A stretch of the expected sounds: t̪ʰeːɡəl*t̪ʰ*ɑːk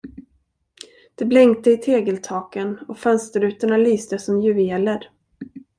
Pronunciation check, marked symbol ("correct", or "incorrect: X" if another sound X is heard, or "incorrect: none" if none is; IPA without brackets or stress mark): correct